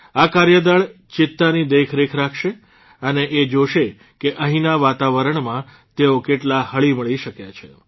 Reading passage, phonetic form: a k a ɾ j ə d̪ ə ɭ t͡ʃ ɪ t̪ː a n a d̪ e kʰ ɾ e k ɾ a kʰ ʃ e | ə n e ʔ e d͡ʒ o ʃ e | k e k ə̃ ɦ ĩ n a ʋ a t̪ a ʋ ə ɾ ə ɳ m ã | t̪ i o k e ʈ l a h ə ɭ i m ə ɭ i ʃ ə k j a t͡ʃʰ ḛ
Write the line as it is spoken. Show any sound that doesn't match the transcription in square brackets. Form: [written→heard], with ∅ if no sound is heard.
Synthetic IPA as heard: a k a ɾ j ə d̪ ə ɭ t͡ʃ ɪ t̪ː a n [a→i] d̪ e kʰ ɾ e [k→kʰ] ɾ a kʰ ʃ e | ə n e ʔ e d͡ʒ o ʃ e | k e [k→ʔ] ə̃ ɦ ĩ n a ʋ a t̪ a ʋ ə ɾ ə ɳ m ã | t̪ [i→e] o k e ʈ l a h ə ɭ i m ə ɭ i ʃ ə k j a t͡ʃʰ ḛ